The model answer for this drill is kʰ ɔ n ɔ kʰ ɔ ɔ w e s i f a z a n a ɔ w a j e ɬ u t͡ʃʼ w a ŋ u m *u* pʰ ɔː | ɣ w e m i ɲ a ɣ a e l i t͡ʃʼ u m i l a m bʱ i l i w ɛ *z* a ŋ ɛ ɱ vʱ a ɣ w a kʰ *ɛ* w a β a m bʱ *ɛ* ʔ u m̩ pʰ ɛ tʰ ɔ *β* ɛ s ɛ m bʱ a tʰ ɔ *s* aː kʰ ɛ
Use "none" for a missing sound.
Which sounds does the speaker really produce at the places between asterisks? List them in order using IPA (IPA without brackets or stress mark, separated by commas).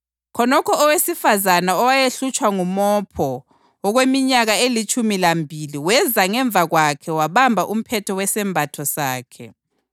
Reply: ɔ, z, ɛ, a, w, s